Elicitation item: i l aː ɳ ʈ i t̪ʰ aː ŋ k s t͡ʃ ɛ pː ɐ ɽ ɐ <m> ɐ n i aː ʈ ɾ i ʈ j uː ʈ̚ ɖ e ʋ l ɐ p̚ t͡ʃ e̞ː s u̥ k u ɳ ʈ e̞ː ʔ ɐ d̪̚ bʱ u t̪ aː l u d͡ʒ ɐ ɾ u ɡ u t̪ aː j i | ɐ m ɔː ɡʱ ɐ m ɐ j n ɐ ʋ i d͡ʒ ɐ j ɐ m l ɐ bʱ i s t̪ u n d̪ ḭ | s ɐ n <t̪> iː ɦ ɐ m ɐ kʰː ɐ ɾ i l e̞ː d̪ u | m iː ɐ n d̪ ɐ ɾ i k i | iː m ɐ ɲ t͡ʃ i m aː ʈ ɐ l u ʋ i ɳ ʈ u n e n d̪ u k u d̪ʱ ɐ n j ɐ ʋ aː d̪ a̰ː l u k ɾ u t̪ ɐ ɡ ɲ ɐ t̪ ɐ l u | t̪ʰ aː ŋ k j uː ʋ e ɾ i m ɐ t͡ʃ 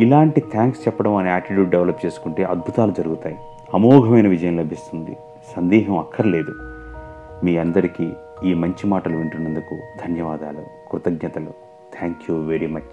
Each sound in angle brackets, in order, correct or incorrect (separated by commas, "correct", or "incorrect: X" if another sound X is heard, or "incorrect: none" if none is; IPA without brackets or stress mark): correct, incorrect: d̪